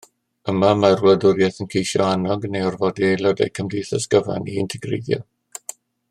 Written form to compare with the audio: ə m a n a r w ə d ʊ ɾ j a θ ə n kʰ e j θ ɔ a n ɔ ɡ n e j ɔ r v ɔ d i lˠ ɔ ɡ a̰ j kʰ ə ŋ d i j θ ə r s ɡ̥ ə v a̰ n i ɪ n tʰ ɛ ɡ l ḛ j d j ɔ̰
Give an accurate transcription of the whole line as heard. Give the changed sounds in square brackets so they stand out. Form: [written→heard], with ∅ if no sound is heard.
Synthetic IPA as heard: ə m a [n→m] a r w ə d ʊ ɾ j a θ ə n kʰ e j [θ→ʃ] ɔ a n ɔ ɡ n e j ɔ r v ɔ d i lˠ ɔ [ɡ→d] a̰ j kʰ ə [ŋ→m] d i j θ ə [r→∅] s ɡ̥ ə v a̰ n i ɪ n tʰ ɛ ɡ [l→r] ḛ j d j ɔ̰

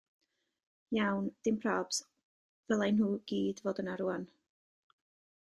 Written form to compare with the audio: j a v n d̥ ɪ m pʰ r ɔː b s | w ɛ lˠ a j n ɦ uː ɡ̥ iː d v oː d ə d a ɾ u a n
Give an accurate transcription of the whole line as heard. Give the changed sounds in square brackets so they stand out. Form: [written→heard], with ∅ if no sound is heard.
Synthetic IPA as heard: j a [v→w] n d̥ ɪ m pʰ r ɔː b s | [w→v] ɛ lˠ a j n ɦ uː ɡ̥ iː d v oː d ə [d→n] a ɾ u a n

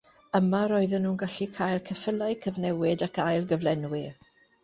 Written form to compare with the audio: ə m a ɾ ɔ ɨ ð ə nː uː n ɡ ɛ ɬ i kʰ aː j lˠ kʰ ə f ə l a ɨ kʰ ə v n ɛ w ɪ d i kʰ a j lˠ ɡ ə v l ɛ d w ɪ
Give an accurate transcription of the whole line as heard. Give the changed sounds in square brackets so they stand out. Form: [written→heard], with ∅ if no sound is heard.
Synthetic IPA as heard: ə m a ɾ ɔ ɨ ð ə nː uː n ɡ [ɛ→a] ɬ i kʰ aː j lˠ kʰ ə f ə l a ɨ kʰ ə v n ɛ w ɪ d [i→a] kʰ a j lˠ ɡ ə v l ɛ [d→n] w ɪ

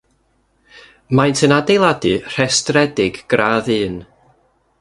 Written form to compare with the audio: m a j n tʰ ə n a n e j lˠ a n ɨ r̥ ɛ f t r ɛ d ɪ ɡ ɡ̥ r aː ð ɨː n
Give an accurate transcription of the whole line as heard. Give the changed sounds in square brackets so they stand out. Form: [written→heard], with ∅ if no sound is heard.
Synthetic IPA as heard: m a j n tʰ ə n a [n→d] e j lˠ a [n→d] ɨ r̥ ɛ [f→s] t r ɛ d ɪ ɡ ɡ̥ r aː ð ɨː n

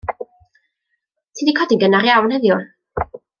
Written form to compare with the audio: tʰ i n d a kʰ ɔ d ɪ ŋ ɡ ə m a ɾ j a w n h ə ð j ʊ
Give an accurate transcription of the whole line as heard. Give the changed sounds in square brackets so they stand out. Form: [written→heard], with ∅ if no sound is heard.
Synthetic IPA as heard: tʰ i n d [a→i] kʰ ɔ d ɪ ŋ ɡ ə [m→n] a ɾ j a w n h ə ð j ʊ

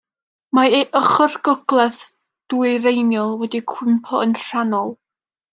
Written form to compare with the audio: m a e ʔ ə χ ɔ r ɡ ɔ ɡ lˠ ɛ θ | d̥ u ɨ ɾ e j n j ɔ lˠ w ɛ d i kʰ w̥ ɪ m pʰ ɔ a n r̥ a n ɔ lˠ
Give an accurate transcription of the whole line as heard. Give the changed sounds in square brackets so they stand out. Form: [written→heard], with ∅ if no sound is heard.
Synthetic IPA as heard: m a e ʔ ə χ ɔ r ɡ ɔ ɡ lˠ ɛ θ | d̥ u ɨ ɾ e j n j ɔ lˠ w ɛ d i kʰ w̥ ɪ m pʰ ɔ [a→ə] n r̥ a n ɔ lˠ

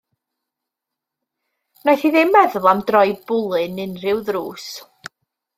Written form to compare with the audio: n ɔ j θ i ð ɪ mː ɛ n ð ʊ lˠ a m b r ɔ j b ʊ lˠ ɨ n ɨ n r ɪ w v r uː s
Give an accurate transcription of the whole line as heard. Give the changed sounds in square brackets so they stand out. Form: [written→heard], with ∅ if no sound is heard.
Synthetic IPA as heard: n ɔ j θ i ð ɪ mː ɛ [n→∅] ð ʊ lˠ a m [b→d] r ɔ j b ʊ lˠ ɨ n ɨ n r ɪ w [v→ð] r uː s

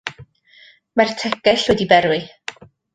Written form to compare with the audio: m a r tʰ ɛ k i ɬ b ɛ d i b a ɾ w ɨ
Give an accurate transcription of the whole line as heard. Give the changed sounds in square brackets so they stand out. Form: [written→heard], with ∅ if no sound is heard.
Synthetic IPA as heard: m a r tʰ ɛ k [i→ɛ] ɬ [b→w] ɛ d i b [a→ɛ] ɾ w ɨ

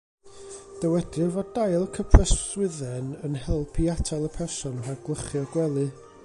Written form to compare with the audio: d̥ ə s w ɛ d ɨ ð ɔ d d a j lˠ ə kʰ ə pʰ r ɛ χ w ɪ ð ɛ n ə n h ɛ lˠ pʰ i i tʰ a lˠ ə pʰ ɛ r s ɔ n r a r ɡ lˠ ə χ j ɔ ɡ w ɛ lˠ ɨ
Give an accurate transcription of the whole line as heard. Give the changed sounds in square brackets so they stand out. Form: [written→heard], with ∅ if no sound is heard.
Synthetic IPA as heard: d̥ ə [s→∅] w ɛ d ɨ [ð→v] ɔ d d a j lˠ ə kʰ ə pʰ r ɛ [χ→s] w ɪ ð ɛ n ə n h ɛ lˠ pʰ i [i→a] tʰ a lˠ ə pʰ ɛ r s ɔ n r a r ɡ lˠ ə χ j ɔ ɡ w ɛ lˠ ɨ

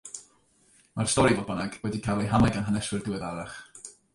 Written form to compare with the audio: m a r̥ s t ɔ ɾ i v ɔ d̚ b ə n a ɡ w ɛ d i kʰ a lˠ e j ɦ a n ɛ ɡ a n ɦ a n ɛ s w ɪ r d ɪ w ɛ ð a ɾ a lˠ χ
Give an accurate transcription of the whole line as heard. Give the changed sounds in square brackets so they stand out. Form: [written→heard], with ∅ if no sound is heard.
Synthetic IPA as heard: m a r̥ s t ɔ ɾ i v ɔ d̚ b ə n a ɡ w ɛ d i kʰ a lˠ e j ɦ a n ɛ ɡ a n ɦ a n ɛ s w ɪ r d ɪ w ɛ ð a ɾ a [lˠ→∅] χ

